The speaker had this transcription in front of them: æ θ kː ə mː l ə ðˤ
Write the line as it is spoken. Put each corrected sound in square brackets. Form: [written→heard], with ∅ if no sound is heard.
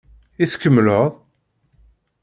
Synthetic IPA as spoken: [æ→i] θ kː ə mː l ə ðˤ